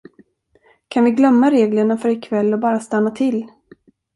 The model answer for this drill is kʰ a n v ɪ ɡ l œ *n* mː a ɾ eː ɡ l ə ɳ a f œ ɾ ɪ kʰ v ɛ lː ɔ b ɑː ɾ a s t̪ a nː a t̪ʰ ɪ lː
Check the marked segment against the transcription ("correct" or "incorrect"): incorrect